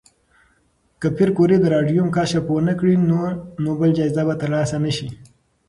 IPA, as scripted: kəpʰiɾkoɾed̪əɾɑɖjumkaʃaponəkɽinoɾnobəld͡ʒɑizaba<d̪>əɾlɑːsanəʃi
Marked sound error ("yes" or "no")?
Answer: yes